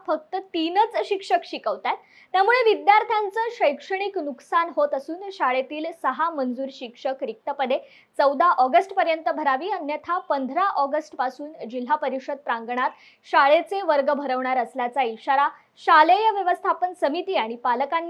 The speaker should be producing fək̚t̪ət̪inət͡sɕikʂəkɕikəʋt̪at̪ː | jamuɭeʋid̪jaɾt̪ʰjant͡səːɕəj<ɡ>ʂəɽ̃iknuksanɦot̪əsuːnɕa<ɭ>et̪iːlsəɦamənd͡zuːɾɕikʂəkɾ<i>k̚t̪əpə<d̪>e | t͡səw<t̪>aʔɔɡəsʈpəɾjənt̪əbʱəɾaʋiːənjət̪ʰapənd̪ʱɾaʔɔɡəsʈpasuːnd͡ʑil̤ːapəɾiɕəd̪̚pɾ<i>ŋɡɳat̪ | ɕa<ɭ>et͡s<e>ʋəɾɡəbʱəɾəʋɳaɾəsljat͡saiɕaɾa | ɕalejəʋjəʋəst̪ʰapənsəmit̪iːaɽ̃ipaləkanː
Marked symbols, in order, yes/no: no, yes, yes, yes, no, no, yes, yes

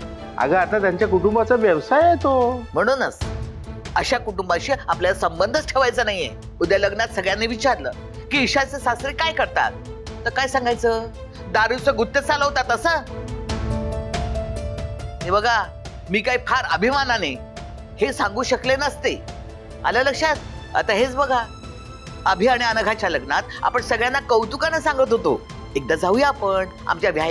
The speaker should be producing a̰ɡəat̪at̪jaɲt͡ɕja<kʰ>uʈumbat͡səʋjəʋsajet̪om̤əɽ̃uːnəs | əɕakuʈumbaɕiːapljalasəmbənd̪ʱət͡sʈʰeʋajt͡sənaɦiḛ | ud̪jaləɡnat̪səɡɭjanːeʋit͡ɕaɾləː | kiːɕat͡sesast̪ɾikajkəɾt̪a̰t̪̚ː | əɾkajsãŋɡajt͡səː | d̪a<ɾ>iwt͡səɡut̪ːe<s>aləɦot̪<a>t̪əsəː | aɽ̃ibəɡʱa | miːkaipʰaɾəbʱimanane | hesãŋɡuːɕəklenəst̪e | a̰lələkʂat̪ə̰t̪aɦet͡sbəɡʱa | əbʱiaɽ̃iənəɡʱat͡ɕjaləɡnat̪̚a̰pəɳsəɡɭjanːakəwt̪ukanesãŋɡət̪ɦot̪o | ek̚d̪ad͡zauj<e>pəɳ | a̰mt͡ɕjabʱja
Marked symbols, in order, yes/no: no, yes, no, yes, no

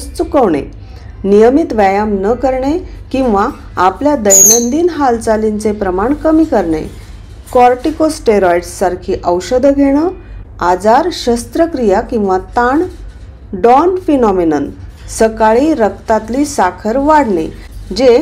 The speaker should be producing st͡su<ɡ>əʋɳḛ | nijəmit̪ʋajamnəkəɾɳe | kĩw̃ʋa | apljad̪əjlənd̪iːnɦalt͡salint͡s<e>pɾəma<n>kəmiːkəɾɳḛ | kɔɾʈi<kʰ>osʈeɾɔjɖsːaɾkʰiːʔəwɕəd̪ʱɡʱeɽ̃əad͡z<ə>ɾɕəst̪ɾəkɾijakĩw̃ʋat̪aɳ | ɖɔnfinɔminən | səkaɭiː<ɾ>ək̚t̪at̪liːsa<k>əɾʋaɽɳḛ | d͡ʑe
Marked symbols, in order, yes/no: no, yes, no, no, no, yes, no

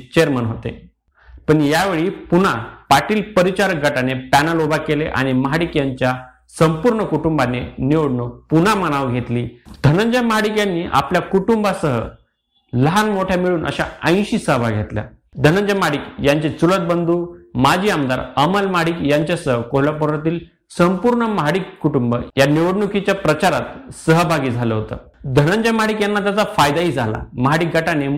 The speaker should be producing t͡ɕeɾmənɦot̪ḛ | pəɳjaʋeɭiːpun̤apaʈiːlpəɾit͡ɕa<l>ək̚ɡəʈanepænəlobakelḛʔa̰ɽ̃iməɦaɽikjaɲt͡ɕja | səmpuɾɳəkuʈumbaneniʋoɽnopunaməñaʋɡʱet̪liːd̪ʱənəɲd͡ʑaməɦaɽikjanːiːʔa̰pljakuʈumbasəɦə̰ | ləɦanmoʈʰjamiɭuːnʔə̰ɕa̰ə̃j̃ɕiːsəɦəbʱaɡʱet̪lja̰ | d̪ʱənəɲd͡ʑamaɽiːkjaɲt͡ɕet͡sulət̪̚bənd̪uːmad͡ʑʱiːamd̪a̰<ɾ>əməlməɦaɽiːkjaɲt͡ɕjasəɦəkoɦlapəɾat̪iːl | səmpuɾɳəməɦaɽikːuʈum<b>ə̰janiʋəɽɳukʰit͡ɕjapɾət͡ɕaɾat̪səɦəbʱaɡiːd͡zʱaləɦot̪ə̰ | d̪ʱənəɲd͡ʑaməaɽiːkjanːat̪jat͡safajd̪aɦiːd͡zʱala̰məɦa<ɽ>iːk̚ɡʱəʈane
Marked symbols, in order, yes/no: no, yes, yes, yes

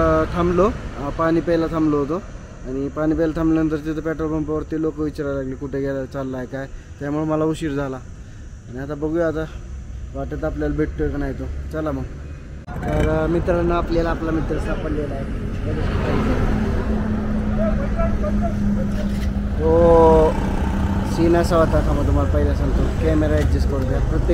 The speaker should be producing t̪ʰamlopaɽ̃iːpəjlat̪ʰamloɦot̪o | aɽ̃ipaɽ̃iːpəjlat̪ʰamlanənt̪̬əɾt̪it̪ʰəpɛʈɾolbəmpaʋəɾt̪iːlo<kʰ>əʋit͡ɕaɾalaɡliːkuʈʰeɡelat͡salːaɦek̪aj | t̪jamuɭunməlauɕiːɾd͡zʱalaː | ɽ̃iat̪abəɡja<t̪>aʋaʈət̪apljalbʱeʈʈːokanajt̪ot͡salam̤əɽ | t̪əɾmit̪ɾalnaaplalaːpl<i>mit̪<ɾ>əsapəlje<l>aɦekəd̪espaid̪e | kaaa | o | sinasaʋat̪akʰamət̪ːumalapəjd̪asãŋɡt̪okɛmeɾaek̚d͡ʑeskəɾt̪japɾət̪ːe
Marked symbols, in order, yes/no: no, yes, no, yes, yes

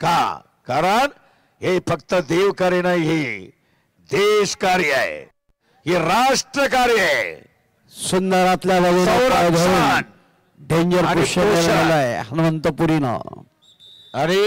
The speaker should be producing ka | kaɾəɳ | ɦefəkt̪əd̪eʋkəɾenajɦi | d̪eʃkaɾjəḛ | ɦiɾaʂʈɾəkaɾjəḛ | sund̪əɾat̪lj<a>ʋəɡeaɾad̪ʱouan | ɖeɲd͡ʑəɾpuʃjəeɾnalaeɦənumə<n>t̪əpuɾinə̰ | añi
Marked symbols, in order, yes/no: yes, yes

